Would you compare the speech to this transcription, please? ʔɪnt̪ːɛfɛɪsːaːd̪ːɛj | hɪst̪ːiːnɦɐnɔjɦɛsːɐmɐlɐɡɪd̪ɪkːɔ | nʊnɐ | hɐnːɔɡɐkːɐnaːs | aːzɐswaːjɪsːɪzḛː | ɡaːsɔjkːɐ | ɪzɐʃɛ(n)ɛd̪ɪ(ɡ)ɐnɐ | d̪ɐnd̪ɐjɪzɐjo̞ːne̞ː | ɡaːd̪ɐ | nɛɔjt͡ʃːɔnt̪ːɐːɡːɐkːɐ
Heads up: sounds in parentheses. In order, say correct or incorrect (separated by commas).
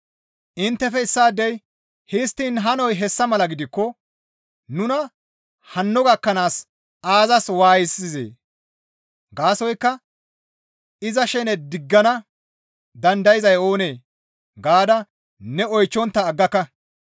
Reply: correct, incorrect